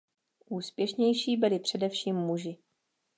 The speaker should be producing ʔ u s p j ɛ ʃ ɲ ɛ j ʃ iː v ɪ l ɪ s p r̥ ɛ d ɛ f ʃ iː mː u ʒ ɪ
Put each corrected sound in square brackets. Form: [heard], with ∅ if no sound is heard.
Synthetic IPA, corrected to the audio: ʔ [uː] s p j ɛ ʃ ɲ ɛ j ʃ iː [b] ɪ l ɪ [∅] p r̥ ɛ d ɛ f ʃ iː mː u ʒ ɪ